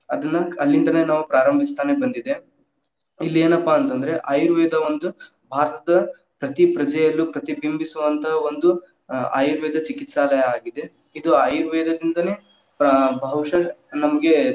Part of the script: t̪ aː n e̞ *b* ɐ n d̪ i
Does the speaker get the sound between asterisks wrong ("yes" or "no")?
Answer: no